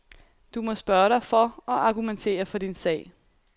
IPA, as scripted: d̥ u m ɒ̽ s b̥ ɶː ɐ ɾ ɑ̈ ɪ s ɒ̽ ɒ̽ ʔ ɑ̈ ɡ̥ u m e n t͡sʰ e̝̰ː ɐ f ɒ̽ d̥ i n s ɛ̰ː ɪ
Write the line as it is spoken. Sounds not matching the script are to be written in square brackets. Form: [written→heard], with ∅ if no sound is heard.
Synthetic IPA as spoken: d̥ u m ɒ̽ s b̥ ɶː ɐ ɾ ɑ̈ ɪ [s→f] ɒ̽ ɒ̽ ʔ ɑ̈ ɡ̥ u m e n t͡sʰ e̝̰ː ɐ f ɒ̽ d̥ i n s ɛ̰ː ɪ